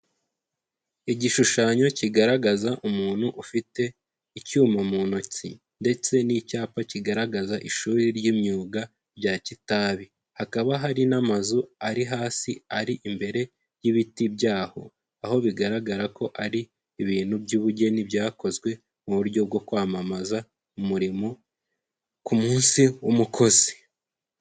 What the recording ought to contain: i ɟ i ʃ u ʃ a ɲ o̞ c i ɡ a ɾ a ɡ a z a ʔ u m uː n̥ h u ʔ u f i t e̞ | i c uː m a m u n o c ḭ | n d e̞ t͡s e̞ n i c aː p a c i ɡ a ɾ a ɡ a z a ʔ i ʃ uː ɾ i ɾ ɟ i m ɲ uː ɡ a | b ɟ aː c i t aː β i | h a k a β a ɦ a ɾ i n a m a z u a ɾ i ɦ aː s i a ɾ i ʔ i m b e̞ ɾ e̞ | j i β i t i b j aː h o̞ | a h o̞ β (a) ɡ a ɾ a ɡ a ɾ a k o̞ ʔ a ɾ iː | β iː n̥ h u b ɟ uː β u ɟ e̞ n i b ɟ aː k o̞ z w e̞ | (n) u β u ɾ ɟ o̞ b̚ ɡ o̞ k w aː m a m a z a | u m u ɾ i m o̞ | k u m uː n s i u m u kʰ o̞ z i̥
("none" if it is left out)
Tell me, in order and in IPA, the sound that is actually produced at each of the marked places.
i, m

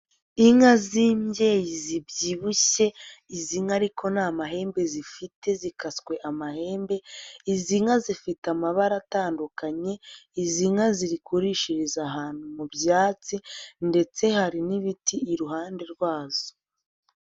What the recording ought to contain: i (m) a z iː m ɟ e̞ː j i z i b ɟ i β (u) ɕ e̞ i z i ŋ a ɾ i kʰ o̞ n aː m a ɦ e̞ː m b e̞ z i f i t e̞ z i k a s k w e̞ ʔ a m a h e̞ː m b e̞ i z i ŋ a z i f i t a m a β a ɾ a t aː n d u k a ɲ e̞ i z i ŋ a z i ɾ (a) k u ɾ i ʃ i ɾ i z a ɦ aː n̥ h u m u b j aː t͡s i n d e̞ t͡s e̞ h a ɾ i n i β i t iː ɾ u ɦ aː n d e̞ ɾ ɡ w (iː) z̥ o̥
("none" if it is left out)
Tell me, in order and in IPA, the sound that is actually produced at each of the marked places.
ŋ, u, i, aː

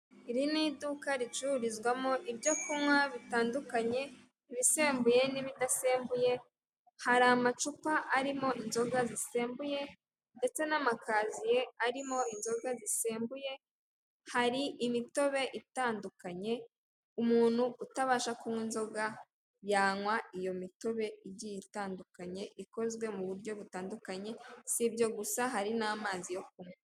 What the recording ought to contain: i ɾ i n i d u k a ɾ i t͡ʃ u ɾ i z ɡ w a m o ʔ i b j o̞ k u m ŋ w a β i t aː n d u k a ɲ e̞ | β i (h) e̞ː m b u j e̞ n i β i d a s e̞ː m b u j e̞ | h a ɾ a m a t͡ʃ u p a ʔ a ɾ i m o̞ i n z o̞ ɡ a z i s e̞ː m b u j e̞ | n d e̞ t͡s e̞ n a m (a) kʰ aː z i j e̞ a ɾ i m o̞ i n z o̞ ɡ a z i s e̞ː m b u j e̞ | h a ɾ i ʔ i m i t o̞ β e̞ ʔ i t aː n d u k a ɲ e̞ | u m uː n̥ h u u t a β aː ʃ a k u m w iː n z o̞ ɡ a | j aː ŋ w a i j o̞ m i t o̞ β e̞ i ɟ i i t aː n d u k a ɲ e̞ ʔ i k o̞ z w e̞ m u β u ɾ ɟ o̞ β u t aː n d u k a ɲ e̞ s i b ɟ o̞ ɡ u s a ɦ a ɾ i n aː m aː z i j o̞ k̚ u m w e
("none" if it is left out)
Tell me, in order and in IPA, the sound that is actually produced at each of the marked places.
s, a

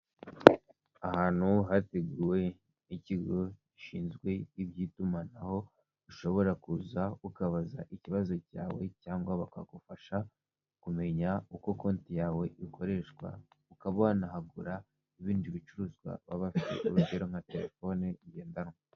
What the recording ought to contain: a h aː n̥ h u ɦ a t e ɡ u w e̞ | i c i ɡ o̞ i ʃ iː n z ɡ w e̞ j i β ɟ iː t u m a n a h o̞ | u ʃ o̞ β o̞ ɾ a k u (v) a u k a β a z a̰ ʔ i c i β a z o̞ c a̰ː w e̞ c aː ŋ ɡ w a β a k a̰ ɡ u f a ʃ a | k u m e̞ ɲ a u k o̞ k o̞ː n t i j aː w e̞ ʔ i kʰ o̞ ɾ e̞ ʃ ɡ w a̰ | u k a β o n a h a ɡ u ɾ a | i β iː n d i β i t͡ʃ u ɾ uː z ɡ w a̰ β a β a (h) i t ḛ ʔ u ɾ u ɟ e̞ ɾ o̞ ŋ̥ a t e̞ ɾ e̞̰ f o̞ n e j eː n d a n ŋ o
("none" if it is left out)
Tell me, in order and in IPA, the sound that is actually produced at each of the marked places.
z, f

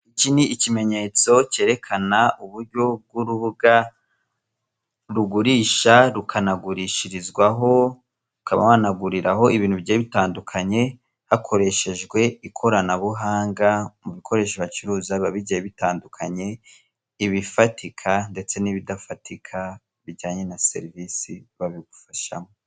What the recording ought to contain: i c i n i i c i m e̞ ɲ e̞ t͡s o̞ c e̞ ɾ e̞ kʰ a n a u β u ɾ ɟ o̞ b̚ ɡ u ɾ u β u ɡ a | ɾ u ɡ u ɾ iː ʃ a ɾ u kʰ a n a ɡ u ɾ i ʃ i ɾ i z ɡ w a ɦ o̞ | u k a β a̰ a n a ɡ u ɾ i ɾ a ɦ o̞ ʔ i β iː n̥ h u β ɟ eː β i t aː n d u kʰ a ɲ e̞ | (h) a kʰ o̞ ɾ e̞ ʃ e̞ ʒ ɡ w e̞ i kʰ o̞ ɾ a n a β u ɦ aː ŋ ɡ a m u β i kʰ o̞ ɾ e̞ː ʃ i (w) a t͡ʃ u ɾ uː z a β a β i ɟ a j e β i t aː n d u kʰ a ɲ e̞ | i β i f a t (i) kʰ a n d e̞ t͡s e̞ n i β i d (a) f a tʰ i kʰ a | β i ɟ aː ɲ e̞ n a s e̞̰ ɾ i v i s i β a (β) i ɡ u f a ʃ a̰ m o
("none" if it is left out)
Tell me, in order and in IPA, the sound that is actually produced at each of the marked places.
h, β, i, a, β

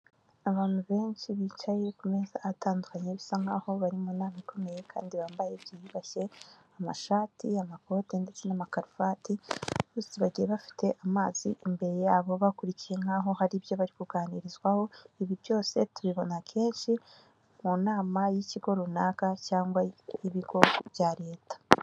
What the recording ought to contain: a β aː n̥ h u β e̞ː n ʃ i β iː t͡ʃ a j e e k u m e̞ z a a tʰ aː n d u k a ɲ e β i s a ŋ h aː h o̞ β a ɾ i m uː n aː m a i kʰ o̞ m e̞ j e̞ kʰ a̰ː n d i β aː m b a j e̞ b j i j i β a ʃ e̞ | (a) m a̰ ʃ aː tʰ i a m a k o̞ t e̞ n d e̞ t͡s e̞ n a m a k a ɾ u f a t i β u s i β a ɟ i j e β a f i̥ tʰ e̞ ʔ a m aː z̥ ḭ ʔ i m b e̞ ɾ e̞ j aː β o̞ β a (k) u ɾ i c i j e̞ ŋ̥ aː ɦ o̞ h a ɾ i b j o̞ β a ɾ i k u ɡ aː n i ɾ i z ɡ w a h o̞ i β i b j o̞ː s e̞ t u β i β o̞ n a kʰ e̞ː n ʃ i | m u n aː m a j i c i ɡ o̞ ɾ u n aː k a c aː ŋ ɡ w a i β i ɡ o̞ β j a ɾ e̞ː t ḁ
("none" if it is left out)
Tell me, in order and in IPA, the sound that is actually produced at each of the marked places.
a, k

